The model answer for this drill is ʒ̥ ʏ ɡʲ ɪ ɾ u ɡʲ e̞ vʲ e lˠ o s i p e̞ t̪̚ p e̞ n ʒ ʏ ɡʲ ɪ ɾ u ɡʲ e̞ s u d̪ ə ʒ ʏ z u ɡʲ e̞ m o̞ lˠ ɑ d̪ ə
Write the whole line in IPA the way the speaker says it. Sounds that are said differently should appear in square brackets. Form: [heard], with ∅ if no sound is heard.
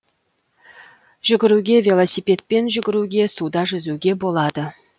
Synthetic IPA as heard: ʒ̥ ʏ ɡʲ ɪ ɾ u ɡʲ e̞ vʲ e lˠ o s i p e̞ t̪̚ p e̞ n ʒ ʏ ɡʲ ɪ ɾ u ɡʲ e̞ s u d̪ [ɑ] ʒ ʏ z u ɡʲ e̞ [b] o̞ lˠ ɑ d̪ ə